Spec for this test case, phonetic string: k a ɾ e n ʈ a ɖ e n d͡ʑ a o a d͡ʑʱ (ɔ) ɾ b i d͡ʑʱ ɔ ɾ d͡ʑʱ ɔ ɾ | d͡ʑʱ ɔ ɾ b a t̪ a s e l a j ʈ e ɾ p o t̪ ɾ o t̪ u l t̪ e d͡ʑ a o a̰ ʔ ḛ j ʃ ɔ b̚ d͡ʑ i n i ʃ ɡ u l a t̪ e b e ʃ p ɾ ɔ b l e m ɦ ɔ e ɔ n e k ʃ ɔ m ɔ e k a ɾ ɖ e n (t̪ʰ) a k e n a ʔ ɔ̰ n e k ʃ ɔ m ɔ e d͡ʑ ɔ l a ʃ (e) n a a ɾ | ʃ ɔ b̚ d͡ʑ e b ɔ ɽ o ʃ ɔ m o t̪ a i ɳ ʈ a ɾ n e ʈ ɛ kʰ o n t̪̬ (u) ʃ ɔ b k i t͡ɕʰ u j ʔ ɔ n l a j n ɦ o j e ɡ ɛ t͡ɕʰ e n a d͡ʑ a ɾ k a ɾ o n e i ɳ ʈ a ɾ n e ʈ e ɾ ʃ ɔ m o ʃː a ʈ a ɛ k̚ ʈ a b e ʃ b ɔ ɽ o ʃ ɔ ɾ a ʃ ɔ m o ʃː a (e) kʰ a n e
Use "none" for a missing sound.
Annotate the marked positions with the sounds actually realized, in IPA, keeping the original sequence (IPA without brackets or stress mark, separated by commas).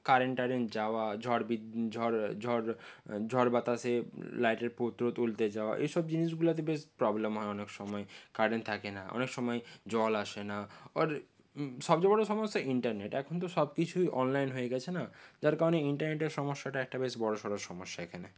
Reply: ɔ, t̪ʰ, e, o, e